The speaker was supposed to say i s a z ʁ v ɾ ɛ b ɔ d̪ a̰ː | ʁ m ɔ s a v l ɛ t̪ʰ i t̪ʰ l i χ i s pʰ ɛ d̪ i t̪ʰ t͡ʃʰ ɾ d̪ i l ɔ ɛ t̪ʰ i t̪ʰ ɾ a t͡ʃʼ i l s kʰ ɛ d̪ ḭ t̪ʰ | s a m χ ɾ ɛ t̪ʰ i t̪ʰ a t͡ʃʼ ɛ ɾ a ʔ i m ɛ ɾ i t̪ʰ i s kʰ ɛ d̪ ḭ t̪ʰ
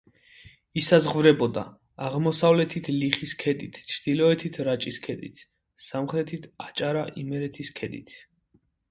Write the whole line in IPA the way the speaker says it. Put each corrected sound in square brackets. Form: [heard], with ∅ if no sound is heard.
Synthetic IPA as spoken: i s a z ʁ v ɾ ɛ b ɔ d̪ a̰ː | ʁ m ɔ s a v l ɛ t̪ʰ i t̪ʰ l i χ i s [kʰ] ɛ d̪ i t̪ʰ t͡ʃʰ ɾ d̪ i l ɔ ɛ t̪ʰ i t̪ʰ ɾ a t͡ʃʼ i [∅] s kʰ ɛ d̪ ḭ t̪ʰ | s a m χ ɾ ɛ t̪ʰ i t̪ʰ a t͡ʃʼ [a] ɾ a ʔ i m ɛ ɾ [ɛ] t̪ʰ i s kʰ ɛ d̪ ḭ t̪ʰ